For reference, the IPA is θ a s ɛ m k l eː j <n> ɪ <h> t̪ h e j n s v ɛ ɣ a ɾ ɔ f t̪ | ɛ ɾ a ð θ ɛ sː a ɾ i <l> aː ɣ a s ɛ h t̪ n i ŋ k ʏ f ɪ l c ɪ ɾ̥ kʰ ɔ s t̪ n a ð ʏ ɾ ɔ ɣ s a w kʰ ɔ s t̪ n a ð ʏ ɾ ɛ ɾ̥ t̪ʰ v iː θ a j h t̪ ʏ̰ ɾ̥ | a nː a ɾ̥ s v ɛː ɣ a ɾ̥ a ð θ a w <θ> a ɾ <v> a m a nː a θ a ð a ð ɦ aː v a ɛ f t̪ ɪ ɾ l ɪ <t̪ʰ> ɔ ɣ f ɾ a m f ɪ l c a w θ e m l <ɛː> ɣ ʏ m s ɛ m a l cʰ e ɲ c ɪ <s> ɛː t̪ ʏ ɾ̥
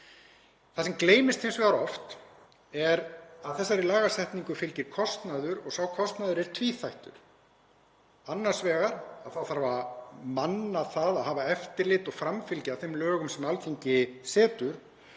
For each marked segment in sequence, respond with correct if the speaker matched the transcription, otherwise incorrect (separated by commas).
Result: incorrect, incorrect, correct, correct, correct, incorrect, incorrect, correct